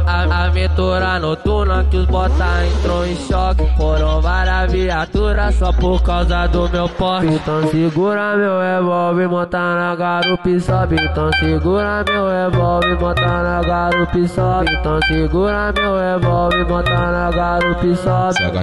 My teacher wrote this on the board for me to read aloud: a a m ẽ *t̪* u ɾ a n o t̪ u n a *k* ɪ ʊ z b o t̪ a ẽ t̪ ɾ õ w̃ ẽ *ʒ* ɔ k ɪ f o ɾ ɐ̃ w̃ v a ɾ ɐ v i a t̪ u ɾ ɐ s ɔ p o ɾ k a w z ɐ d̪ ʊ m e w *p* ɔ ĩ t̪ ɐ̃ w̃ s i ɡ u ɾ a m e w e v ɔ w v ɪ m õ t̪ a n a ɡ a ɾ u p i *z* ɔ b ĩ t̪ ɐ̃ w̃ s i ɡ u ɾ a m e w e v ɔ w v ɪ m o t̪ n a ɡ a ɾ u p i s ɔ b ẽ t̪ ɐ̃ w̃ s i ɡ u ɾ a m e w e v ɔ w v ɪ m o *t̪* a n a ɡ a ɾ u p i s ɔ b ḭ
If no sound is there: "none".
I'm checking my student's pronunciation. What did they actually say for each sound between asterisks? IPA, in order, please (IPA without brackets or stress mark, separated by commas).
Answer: t̪, k, ʃ, p, s, t̪